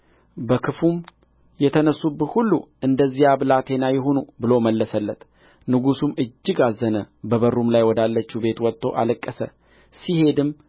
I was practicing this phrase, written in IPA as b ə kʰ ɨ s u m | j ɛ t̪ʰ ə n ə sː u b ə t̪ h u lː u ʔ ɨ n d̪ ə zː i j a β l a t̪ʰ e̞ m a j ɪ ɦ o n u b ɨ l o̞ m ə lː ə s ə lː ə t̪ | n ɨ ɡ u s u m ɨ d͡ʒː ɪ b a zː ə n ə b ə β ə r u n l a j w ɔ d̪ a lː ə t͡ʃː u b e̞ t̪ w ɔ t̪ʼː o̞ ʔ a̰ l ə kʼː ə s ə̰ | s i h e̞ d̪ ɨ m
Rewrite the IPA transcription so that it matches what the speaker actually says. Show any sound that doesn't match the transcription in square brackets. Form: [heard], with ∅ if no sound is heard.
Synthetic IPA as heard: b ə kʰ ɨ [f] u m | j ɛ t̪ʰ ə n ə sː u b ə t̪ h u lː u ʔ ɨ n d̪ ə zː i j a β l a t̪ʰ e̞ [n] a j ɪ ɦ o n u b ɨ l o̞ m ə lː ə s ə lː ə t̪ | n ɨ ɡ u s u m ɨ d͡ʒː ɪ [ɡ] a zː ə n ə b ə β ə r u [m] l a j w ɔ d̪ a lː ə t͡ʃː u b e̞ t̪ w ɔ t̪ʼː o̞ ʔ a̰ l ə kʼː ə s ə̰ | s i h e̞ d̪ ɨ m